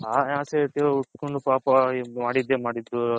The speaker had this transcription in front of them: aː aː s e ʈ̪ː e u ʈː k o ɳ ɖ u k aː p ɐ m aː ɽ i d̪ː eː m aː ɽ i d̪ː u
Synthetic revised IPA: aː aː s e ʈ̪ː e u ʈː k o ɳ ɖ u p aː p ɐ m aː ɽ i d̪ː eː m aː ɽ i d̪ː u

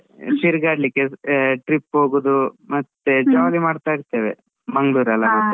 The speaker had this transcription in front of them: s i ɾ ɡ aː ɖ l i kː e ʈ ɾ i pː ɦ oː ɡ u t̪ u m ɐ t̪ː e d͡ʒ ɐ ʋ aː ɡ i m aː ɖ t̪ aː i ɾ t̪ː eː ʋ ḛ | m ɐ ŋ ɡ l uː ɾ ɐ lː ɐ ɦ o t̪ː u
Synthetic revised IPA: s i ɾ ɡ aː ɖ l i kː e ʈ ɾ i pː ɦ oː ɡ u d̪ u m ɐ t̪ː e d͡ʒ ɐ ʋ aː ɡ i m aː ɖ t̪ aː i ɾ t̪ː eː ʋ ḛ | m ɐ ŋ ɡ ɭ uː ɾ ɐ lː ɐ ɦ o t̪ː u

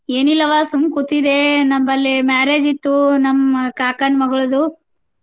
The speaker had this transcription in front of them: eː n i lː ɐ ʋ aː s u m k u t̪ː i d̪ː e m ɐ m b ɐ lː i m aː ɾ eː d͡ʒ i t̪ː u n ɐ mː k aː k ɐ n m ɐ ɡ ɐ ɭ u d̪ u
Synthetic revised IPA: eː n i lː ɐ ʋ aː s u m k u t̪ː i d̪ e n ɐ m b ɐ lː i m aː ɾ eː d͡ʒ i t̪ː u n ɐ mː k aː k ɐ n m ɐ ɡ ɐ ɭ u d̪ u

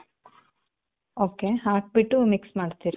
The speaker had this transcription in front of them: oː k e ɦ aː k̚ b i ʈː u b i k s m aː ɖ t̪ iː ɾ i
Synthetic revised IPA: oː k e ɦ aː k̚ b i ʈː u m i k s m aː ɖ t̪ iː ɾ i

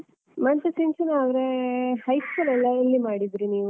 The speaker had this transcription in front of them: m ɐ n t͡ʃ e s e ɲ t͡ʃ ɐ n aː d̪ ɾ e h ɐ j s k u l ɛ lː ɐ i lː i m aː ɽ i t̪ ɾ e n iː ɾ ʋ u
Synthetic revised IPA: m ɐ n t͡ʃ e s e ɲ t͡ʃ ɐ n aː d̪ ɾ e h ɐ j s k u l ɛ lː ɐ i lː i m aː ɽ i d̪ ɾ i n iː ʋ u

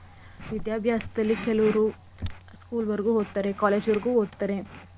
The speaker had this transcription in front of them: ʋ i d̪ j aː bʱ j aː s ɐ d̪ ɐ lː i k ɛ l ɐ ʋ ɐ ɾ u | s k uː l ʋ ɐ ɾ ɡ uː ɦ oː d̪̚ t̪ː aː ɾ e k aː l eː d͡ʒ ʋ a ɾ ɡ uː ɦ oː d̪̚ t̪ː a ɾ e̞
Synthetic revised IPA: ʋ i d̪ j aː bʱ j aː s ɐ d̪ ɐ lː i k ɛ l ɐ ʋ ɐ ɾ u | s k uː l ʋ ɐ ɾ ɡ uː ɦ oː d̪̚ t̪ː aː ɾ e k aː l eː d͡ʒ ʋ ɐ ɾ ɡ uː ɦ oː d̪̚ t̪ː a ɾ e̞

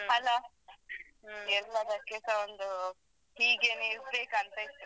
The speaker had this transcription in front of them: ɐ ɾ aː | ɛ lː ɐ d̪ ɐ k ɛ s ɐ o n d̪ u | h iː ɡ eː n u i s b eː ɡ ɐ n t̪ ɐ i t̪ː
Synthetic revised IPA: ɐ l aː | ɛ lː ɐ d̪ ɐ k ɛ s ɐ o n d̪ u | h iː ɡ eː n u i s b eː k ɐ n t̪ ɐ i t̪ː

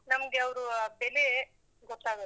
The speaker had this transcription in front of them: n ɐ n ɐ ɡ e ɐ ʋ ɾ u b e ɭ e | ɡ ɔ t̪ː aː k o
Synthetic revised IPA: n ɐ m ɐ ɡ e ɐ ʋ ɾ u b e l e | ɡ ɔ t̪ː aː ɡ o

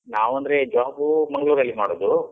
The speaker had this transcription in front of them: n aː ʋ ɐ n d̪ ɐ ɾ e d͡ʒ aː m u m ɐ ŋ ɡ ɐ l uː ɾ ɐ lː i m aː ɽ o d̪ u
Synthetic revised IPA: n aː ʋ ɐ n d̪ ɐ ɾ e d͡ʒ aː b u m ɐ ŋ ɡ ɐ ɭ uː ɾ ɐ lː i m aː ɽ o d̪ u

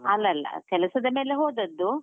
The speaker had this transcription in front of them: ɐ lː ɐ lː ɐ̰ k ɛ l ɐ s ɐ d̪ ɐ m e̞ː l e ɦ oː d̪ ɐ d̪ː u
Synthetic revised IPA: ɐ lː ɐ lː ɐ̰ k ɛ l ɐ s ɐ d̪ ɐ m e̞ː l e ɦ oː d̪ ɐ d̪ː u

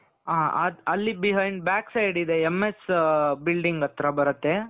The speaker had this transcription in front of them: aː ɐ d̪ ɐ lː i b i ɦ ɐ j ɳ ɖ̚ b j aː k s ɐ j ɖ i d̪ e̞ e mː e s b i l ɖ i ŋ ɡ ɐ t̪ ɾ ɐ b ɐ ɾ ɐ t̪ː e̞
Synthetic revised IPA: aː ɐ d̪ ɐ lː i b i ɦ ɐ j ɳ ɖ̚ b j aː k s ɐ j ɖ i d̪ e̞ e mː e s b i l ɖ i ŋ ɡ ɐ t̪ ɾ ɐ b ɐ ɾ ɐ t̪ː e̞

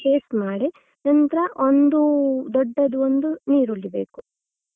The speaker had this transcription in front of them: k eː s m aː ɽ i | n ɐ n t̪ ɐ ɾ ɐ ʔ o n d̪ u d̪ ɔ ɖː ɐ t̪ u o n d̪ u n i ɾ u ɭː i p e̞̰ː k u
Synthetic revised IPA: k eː s m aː ɽ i | n ɐ n t̪ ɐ ɾ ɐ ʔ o n d̪ u d̪ ɔ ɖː ɐ d̪ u o n d̪ u n iː ɾ u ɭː i b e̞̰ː k u

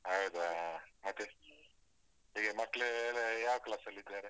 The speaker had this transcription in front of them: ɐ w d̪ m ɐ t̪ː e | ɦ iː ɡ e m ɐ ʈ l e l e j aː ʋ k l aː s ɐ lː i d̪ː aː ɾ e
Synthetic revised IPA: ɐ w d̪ m ɐ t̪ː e | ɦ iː ɡ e m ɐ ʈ l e l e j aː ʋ k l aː s ɐ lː i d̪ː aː ɾ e

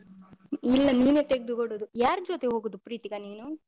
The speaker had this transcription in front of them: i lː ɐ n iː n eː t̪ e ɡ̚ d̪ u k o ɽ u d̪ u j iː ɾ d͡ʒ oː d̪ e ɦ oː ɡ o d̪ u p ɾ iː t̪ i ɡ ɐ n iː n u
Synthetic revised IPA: i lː ɐ n iː n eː t̪ e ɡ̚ d̪ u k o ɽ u d̪ u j aː ɾ d͡ʒ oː t̪ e ɦ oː ɡ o d̪ u p ɾ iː t̪ i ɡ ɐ n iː n u

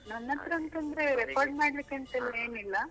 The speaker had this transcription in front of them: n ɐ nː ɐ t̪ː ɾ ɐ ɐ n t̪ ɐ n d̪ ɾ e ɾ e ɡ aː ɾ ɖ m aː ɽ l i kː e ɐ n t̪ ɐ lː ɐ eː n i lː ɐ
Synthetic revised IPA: n ɐ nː ɐ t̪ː ɾ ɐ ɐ n t̪ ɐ n d̪ ɾ e ɾ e k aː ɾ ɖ m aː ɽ l i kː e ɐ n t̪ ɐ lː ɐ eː n i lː ɐ

